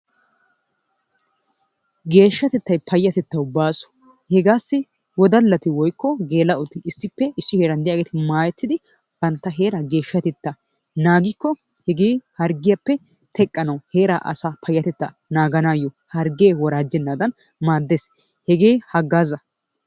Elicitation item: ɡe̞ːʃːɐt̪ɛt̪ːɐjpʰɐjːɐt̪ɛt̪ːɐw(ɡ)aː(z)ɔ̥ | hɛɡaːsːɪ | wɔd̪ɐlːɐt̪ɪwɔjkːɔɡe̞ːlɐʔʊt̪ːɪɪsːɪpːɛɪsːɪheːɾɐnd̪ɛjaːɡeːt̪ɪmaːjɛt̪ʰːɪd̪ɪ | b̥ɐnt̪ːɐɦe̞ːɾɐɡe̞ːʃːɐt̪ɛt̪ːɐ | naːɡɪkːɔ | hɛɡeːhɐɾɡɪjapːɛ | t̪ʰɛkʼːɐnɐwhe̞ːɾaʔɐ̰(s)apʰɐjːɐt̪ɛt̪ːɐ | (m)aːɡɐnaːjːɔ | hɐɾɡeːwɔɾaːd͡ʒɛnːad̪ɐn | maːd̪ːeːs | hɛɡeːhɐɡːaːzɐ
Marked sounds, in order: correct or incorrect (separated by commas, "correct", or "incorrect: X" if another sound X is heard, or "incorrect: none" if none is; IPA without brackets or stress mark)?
incorrect: b, incorrect: s, correct, incorrect: n